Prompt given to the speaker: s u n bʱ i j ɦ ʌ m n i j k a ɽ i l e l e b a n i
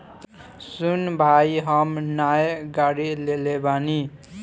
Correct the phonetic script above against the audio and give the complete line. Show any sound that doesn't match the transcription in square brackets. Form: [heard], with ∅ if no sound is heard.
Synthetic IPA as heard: s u n bʱ [a] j ɦ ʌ m n [a] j [ɡ] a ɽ i l e l e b a n i